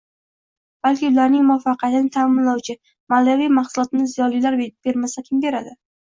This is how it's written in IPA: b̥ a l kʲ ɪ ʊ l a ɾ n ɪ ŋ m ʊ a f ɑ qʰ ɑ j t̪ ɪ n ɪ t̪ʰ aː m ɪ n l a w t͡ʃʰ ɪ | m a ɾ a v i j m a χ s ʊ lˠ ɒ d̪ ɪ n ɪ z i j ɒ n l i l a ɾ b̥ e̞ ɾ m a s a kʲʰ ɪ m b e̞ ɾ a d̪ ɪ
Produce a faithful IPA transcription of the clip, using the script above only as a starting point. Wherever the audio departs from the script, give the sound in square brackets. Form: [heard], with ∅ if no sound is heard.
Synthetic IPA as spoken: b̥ a l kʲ ɪ ʊ l a ɾ n ɪ ŋ m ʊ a f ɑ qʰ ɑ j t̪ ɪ n ɪ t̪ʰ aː m ɪ n l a w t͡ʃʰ ɪ | m a [l] a v i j m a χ s ʊ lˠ ɒ [t̪] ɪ n ɪ z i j ɒ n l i l a ɾ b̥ e̞ ɾ m a s a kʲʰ ɪ m b e̞ ɾ a d̪ ɪ

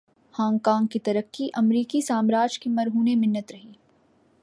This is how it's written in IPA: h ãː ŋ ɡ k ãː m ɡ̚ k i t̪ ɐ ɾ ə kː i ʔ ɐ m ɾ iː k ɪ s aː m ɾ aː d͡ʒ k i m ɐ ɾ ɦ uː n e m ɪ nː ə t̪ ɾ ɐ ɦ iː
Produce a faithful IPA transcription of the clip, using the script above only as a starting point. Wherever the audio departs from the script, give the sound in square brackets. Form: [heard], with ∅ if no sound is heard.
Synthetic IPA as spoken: h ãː ŋ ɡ k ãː [ŋ] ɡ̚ k i t̪ ɐ ɾ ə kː i ʔ ɐ m ɾ iː k [i] s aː m ɾ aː d͡ʒ k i m ɐ ɾ ɦ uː n e m ɪ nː ə t̪ ɾ ɐ ɦ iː

